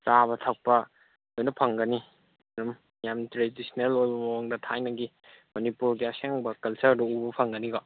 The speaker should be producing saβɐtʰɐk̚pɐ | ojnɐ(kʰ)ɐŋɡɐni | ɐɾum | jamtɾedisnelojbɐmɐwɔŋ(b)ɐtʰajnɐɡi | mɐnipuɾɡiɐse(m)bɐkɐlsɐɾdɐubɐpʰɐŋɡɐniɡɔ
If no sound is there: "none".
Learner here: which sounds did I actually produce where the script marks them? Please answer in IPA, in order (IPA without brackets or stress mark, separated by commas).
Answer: pʰ, d, ŋ